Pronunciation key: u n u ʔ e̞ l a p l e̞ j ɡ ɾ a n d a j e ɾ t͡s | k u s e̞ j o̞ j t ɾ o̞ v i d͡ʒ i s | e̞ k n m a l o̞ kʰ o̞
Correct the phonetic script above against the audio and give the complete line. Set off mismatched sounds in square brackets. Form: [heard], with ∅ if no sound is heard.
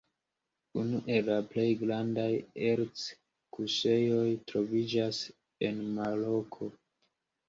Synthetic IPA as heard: u n u ʔ e̞ l a p l e̞ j ɡ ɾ a n d a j e ɾ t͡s | k u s e̞ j o̞ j t ɾ o̞ v i d͡ʒ [a] s | e̞ [∅] n m a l o̞ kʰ o̞

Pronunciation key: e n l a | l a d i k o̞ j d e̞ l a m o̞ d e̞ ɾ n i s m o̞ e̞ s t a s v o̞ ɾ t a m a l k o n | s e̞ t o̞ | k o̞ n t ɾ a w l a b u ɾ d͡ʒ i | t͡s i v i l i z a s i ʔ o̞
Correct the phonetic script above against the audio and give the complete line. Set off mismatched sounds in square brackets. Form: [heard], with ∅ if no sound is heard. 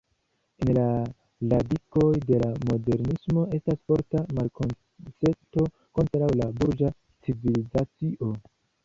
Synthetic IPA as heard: e n l a | l a d i k o̞ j d e̞ l a m o̞ d e̞ ɾ n i s m o̞ e̞ s t a s [f] o̞ ɾ t a m a l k o n | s e̞ t o̞ | k o̞ n t ɾ a w l a b u ɾ d͡ʒ [a] | t͡s i v i l i z a [t͡s] i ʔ o̞

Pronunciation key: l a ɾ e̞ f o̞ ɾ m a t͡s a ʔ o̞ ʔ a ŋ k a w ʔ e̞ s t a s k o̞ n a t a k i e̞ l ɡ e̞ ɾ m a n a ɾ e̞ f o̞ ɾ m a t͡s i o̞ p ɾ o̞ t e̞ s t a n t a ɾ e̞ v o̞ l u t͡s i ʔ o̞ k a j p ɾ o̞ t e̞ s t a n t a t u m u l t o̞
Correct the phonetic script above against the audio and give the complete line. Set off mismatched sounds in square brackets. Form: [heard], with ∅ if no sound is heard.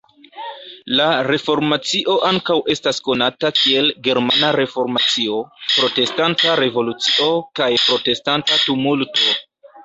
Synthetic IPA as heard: l a ɾ e̞ f o̞ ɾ m a t͡s [i] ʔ o̞ ʔ a ŋ k a w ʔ e̞ s t a s k o̞ n a t a k i e̞ l ɡ e̞ ɾ m a n a ɾ e̞ f o̞ ɾ m a t͡s i o̞ p ɾ o̞ t e̞ s t a n t a ɾ e̞ v o̞ l u t͡s i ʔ o̞ k a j p ɾ o̞ t e̞ s t a n t a t u m u l t o̞

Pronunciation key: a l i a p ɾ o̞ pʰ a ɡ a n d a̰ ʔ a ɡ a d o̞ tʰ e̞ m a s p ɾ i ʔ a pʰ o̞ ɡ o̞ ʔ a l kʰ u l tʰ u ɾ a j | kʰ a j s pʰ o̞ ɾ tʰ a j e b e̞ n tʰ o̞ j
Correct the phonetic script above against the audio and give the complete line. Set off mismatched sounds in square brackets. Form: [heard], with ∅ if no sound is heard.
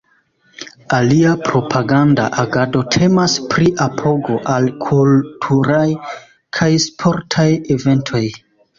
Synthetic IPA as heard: a l i a p ɾ o̞ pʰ a ɡ a n d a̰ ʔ a ɡ a d o̞ tʰ e̞ m a s p ɾ i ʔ a pʰ o̞ ɡ o̞ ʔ a l kʰ u l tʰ u ɾ a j | kʰ a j s pʰ o̞ ɾ tʰ a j e [v] e̞ n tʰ o̞ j

